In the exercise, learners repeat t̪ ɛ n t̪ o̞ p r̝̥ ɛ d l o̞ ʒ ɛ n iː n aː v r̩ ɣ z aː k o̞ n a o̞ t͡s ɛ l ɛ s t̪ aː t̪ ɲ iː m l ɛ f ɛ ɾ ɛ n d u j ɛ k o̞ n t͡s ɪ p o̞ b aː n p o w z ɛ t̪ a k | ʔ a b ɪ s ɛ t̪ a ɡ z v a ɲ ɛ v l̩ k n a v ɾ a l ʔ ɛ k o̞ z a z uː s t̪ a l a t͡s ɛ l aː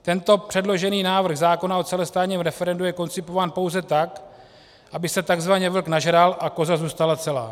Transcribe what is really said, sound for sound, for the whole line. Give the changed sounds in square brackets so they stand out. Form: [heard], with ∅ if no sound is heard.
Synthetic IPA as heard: t̪ ɛ n t̪ o̞ p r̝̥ ɛ d l o̞ ʒ ɛ n iː n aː v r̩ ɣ z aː k o̞ n a o̞ t͡s ɛ l ɛ s t̪ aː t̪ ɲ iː m [ɾ] ɛ f ɛ ɾ ɛ n d u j ɛ k o̞ n t͡s ɪ p o̞ [v] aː n p o w z ɛ t̪ a k | ʔ a b ɪ s ɛ t̪ a ɡ z v a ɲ ɛ v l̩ k n a [ʒ] ɾ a l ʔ [a] k o̞ z a z uː s t̪ a l a t͡s ɛ l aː